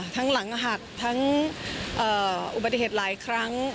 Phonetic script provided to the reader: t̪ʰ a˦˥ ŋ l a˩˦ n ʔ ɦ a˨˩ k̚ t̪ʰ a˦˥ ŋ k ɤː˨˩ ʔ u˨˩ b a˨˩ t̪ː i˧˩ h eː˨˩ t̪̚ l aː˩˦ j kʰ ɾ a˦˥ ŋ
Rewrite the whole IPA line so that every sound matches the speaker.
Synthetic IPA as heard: t̪ʰ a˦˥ ŋ l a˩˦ ŋ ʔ ɦ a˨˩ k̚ t̪ʰ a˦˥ ŋ ʔ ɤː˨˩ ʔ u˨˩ b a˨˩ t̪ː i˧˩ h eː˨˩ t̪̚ l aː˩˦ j kʰ ɾ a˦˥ ŋ